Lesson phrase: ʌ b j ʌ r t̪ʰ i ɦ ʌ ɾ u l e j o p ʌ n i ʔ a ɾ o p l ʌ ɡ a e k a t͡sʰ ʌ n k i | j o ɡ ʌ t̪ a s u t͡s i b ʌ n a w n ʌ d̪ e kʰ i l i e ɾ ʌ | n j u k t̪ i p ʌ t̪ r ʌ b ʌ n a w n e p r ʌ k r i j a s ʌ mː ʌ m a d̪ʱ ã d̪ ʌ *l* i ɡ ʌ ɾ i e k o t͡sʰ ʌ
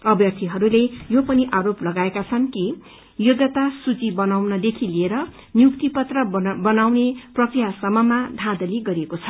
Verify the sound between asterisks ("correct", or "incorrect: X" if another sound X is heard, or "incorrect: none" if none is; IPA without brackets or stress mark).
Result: correct